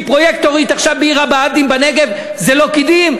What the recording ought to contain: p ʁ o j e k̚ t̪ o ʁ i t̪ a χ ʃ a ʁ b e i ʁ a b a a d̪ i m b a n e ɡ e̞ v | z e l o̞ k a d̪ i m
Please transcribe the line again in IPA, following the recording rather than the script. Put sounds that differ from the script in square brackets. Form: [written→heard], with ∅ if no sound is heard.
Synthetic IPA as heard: p ʁ o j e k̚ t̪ o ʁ i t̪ a χ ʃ a [ʁ→v] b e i ʁ a b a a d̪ i m b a n e ɡ e̞ v | z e l o̞ k [a→i] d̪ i m